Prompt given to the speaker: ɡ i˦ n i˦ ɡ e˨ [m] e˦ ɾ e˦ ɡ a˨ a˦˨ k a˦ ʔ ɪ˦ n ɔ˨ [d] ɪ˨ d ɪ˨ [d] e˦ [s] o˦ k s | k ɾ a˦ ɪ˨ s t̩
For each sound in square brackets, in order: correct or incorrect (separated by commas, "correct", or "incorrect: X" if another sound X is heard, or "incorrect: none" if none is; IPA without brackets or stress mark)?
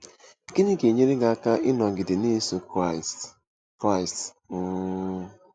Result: incorrect: ɲ, incorrect: ɡ, incorrect: n, correct